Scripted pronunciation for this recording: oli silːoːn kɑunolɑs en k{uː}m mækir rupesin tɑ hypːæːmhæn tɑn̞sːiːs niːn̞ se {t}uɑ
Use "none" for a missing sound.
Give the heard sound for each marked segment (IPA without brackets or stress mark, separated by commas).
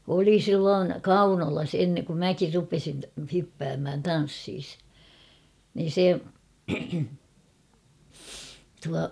u, t